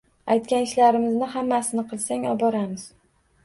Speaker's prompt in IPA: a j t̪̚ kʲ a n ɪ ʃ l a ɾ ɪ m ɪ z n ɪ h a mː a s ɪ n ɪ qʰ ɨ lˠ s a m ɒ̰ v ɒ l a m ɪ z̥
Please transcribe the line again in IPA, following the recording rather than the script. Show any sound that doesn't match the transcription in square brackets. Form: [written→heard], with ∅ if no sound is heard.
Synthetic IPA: a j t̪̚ kʲ a n ɪ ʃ l a ɾ ɪ m ɪ z n ɪ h a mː a s ɪ n ɪ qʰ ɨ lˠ s a [m→ŋ] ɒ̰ [v→b] ɒ [l→ɾ] a m ɪ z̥